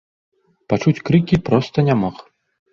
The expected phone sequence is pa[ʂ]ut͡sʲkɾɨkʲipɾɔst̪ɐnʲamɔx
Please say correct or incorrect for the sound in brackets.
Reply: incorrect